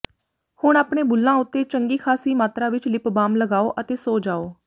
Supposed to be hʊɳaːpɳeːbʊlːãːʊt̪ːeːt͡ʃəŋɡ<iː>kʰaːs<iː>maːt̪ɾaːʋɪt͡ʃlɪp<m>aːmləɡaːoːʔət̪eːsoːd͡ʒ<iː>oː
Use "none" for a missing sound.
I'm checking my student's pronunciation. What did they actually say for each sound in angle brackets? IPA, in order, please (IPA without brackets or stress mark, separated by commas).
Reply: iː, iː, b, aː